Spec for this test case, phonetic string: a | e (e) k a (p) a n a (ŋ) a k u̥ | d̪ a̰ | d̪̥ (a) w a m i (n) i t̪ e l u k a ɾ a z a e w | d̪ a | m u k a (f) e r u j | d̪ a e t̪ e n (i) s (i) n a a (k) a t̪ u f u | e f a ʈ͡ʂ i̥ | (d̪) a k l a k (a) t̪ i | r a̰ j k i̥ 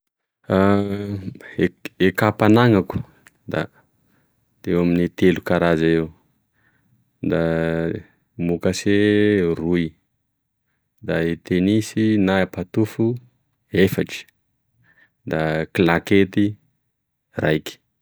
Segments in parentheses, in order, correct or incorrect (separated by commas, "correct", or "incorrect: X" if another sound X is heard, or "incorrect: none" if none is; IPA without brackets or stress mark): correct, correct, correct, incorrect: e, correct, incorrect: s, correct, correct, incorrect: p, correct, incorrect: e